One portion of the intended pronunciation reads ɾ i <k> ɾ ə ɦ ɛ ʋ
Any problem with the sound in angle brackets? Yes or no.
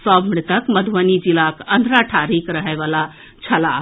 no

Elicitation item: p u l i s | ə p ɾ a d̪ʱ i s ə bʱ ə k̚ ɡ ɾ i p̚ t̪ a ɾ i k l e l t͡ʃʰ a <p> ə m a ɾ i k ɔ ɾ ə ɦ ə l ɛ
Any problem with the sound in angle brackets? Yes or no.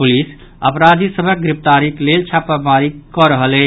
no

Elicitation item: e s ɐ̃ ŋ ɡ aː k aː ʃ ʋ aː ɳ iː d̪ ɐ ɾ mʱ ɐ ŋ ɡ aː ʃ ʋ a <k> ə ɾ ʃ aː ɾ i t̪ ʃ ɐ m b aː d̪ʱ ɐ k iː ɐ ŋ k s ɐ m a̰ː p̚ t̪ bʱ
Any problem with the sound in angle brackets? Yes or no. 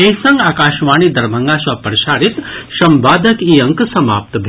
yes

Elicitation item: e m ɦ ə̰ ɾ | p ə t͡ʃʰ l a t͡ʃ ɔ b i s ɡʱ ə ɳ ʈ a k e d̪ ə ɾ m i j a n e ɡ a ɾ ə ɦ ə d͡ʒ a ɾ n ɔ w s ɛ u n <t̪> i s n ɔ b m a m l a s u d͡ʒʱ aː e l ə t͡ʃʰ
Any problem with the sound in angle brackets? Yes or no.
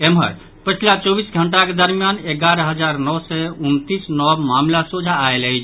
no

